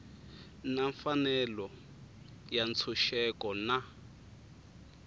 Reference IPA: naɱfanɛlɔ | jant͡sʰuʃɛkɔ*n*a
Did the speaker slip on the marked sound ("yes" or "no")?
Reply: no